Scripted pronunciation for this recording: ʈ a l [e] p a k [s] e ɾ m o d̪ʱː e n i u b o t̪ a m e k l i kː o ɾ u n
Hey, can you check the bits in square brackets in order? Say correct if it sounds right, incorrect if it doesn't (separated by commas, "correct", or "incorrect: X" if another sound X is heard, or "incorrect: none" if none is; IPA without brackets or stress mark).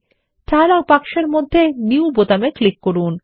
incorrect: a, incorrect: ʃ